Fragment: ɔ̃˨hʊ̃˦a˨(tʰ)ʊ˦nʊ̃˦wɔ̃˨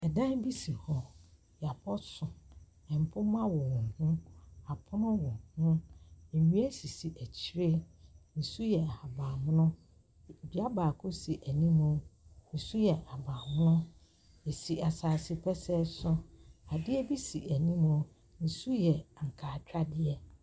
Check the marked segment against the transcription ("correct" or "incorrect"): incorrect